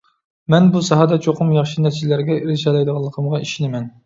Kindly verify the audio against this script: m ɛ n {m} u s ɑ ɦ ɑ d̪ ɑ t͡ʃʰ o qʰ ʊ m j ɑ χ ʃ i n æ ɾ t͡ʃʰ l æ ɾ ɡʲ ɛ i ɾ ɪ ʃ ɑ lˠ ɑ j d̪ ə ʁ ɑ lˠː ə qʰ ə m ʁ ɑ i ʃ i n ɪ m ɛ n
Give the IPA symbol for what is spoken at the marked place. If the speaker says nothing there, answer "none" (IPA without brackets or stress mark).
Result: b